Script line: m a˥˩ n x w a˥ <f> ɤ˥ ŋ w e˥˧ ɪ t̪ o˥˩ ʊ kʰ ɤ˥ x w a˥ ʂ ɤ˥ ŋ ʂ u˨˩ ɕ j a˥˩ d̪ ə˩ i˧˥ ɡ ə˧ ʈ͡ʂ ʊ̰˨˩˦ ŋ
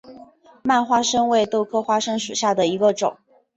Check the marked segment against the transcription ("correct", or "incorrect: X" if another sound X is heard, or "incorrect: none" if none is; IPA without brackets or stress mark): incorrect: ʂ